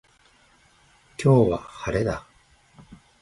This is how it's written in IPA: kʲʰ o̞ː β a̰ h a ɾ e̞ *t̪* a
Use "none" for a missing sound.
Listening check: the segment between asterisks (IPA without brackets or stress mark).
d̪